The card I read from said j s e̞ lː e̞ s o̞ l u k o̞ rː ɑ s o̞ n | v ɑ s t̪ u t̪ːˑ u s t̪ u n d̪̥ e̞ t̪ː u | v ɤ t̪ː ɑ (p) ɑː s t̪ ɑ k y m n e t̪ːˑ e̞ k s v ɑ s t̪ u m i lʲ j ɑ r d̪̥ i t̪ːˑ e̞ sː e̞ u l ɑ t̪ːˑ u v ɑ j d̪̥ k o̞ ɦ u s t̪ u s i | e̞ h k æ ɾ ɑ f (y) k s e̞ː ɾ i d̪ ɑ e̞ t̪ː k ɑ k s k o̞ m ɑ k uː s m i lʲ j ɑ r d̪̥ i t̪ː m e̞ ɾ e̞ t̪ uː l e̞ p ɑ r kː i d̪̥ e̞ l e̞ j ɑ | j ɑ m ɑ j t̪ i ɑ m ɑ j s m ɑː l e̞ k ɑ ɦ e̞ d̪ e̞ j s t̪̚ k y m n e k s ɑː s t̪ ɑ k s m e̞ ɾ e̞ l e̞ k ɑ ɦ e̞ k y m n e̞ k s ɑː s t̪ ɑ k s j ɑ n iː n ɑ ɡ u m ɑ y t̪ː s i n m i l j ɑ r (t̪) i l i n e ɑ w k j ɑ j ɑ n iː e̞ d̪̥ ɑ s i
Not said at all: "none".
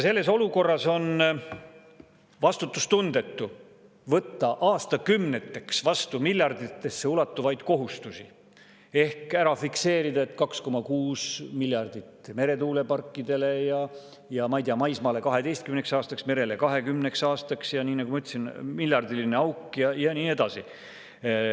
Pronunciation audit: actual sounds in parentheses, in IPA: ʔ, i, d̪

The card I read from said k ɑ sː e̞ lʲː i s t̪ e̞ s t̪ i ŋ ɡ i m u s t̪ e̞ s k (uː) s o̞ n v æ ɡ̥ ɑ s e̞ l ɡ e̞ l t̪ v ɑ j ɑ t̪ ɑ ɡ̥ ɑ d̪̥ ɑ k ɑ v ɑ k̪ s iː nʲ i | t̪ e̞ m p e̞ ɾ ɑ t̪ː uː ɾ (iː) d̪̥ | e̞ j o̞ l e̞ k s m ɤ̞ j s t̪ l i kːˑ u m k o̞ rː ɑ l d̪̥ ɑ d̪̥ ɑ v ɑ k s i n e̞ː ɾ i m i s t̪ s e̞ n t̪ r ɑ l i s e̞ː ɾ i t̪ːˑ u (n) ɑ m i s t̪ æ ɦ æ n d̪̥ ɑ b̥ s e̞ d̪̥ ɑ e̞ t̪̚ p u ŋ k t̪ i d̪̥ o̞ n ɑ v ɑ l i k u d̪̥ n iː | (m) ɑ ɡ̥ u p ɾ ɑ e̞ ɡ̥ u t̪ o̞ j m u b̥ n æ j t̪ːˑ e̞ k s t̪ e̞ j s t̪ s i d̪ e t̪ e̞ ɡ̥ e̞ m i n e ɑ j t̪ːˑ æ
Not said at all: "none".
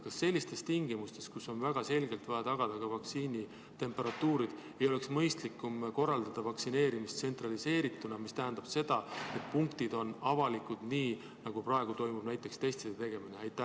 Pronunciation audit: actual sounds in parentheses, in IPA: u, i, n, n

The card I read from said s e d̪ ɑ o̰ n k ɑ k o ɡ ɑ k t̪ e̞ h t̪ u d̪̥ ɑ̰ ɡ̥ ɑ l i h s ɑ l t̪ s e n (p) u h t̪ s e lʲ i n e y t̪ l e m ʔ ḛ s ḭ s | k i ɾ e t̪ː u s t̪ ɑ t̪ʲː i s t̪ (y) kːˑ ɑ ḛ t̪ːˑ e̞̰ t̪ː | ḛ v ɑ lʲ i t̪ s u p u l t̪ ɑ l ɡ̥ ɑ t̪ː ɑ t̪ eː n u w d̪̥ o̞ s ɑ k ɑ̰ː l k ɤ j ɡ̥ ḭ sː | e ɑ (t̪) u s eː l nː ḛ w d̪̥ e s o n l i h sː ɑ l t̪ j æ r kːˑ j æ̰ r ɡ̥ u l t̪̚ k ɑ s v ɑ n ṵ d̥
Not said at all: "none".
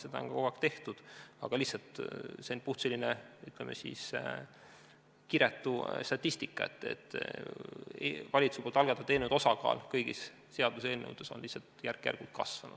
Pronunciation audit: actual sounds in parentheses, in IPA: p, i, d̪

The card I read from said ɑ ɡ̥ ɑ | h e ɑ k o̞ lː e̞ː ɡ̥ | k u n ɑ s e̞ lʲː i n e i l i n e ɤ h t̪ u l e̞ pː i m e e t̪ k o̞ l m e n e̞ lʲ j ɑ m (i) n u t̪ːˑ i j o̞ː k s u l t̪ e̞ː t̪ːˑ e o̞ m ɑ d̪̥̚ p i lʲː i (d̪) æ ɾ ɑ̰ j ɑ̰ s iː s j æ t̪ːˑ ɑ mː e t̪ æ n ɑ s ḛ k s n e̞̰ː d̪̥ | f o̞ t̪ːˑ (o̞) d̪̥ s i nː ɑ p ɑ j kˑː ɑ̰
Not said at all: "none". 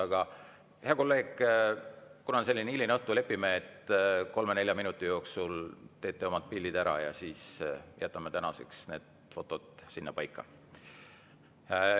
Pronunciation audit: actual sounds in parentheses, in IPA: i, d̪, o̞

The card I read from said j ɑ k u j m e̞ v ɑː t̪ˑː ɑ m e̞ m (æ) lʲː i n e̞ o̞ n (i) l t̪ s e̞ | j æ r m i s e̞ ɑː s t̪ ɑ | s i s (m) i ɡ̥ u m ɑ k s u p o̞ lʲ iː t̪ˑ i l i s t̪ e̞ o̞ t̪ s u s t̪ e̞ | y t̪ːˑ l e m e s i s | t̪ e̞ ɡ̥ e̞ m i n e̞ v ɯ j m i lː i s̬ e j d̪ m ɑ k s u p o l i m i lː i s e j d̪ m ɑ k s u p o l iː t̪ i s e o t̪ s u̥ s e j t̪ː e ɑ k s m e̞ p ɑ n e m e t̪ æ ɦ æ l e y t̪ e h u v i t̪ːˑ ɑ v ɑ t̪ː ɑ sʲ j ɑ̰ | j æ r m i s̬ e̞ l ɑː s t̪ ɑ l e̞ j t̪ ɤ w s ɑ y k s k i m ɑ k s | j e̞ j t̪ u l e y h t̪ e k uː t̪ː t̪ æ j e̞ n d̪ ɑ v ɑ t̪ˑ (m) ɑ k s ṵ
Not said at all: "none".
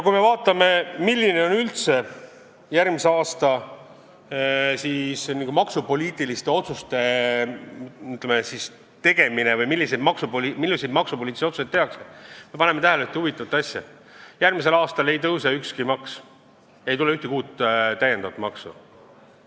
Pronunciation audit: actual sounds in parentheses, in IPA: i, y, n, m

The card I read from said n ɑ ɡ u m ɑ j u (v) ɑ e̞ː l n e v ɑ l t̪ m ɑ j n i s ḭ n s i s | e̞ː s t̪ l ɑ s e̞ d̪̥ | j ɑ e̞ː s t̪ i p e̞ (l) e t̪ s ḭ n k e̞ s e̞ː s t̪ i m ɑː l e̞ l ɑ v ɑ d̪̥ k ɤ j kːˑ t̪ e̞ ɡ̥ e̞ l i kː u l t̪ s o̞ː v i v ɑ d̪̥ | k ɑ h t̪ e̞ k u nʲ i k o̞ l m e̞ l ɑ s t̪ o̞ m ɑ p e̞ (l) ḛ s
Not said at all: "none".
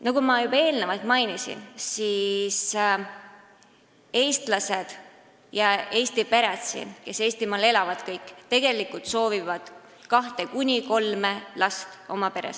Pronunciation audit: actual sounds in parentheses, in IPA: b, ɾ, ɾ

